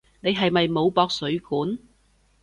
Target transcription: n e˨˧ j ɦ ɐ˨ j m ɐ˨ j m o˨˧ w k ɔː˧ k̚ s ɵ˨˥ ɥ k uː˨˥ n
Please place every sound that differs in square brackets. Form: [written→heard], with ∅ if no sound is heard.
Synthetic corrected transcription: n e˨˧ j ɦ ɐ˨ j m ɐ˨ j m o˨˧ w [k→p] ɔː˧ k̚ s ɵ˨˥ ɥ k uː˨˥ n